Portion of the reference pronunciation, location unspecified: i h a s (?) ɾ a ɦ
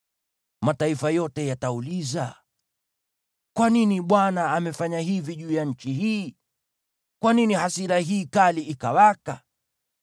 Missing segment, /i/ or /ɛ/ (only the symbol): i